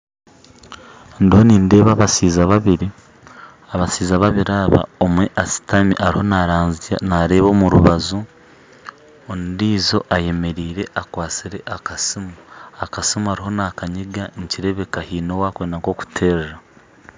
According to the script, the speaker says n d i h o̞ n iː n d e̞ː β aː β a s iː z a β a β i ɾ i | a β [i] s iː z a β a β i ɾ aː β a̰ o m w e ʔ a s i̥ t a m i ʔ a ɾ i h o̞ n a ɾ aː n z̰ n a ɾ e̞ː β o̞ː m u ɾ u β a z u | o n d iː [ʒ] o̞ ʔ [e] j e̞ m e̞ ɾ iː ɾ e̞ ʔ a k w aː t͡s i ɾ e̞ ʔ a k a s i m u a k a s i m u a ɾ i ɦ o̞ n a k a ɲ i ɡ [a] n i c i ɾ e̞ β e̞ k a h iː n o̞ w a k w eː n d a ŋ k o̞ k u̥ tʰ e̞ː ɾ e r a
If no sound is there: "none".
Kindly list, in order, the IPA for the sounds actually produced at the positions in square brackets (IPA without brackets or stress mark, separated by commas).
a, z, a, a